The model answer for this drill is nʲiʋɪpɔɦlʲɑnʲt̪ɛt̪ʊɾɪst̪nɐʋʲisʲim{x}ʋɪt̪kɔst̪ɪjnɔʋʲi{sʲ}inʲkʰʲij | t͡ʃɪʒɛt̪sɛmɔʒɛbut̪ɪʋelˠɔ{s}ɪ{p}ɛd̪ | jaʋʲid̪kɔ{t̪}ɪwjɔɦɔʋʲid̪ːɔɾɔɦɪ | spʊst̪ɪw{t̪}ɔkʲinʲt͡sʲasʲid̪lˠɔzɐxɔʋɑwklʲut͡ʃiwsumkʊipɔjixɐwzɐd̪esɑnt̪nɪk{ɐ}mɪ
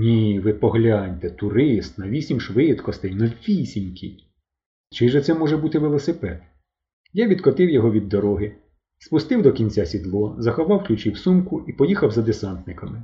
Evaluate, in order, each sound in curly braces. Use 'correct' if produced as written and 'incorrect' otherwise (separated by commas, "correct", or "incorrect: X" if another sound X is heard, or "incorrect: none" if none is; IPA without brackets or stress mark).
incorrect: ʃ, correct, correct, correct, correct, incorrect: d̪, correct